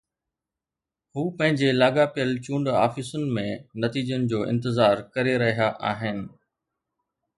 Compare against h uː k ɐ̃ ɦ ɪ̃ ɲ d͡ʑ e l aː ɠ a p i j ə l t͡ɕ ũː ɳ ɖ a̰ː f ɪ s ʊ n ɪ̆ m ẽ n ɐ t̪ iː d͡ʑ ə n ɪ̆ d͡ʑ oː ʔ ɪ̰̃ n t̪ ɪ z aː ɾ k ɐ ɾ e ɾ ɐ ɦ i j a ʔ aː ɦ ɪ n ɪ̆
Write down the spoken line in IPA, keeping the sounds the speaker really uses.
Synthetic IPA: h uː p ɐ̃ ɦ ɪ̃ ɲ d͡ʑ e l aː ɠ a p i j ə l t͡ɕ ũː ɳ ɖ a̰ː f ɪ s ʊ n ɪ̆ m ẽ n ɐ t̪ iː d͡ʑ ə n ɪ̆ d͡ʑ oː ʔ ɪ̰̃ n t̪ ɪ z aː ɾ k ɐ ɾ e ɾ ɐ ɦ i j a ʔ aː ɦ ɪ n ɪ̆